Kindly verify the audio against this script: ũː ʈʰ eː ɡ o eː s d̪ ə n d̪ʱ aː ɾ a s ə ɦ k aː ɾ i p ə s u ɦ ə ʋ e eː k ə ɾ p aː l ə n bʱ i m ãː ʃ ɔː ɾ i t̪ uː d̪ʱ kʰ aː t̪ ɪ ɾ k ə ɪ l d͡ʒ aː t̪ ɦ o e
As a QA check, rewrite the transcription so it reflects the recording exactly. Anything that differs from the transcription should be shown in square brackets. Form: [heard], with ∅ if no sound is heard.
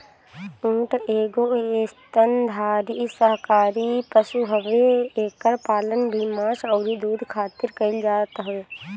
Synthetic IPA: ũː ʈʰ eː ɡ o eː s [t̪] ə n d̪ʱ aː ɾ [i] s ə ɦ k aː ɾ i p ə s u ɦ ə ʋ e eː k ə ɾ p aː l ə n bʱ i m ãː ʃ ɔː ɾ i [d̪] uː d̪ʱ kʰ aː t̪ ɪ ɾ k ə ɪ l d͡ʒ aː t̪ ɦ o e